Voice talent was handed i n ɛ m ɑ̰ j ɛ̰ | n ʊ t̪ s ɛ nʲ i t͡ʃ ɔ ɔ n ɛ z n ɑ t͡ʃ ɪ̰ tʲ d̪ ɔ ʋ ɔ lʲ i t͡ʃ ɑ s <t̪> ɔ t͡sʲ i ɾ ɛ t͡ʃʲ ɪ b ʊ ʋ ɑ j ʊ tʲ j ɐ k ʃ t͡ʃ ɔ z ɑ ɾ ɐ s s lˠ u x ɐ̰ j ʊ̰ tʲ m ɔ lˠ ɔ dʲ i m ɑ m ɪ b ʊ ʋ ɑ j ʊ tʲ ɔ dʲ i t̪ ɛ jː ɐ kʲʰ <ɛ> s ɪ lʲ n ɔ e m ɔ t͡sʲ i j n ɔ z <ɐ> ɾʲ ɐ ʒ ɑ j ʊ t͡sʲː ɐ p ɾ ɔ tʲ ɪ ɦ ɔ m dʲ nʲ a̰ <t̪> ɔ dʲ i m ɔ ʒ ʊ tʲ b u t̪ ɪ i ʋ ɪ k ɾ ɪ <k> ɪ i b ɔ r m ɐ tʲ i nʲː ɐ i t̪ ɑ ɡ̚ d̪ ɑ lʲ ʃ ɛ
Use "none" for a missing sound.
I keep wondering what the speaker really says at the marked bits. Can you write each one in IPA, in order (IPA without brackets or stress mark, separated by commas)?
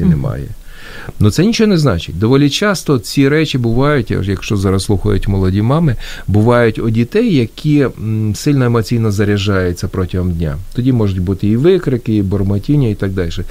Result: t̪, i, ɐ, t̪, k